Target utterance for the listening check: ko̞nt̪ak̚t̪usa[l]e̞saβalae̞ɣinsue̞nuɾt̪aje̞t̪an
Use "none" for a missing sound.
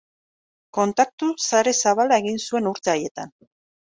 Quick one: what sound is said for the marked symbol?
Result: ɾ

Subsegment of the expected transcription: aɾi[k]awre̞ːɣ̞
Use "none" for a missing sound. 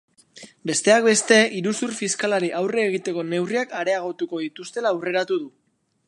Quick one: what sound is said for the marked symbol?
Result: ʔ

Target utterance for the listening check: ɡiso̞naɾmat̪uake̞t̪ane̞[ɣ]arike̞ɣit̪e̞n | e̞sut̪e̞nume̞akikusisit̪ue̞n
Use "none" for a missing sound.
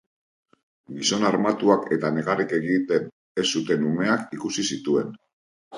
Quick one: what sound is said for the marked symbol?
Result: ɣ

